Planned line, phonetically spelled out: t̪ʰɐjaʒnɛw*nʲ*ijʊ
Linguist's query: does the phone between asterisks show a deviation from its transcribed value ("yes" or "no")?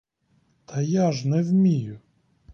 yes